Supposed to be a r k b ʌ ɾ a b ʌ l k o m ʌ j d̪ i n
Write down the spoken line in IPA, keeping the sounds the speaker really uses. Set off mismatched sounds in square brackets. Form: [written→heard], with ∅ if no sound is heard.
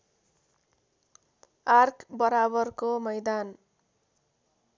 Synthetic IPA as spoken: a r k b ʌ ɾ a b ʌ [l→r] k o m ʌ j d̪ [i→a] n